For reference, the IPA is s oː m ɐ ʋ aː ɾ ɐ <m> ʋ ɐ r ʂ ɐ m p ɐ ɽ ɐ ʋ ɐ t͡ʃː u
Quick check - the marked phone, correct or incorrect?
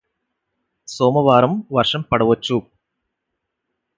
correct